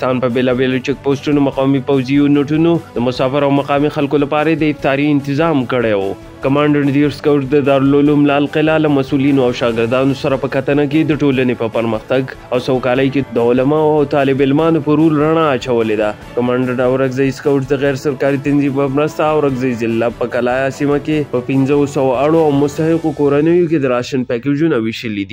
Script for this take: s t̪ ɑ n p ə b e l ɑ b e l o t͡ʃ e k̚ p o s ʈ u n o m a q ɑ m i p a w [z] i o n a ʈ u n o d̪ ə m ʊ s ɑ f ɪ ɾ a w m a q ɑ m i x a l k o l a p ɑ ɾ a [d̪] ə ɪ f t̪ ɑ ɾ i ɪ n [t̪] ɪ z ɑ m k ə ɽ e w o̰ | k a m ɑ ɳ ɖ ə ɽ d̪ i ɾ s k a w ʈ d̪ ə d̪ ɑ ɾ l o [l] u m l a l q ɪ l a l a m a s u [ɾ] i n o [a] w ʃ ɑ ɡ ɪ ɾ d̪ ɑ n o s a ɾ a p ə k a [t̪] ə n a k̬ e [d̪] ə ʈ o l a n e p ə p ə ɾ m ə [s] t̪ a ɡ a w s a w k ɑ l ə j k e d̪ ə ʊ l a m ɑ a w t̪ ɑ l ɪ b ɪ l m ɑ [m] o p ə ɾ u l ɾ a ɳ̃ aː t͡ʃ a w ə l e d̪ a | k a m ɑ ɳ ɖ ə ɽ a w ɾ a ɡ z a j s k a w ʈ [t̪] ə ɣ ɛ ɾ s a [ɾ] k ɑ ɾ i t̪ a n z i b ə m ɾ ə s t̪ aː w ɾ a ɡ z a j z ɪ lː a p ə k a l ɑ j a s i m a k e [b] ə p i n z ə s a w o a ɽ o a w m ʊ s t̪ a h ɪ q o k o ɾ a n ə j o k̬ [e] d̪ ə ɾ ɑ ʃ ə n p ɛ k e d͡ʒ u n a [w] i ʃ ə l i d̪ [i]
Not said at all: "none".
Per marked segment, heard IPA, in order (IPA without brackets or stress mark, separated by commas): z, d̪, t̪, l, l, a, t̪, d̪, x, n, d̪, ɾ, p, e, w, i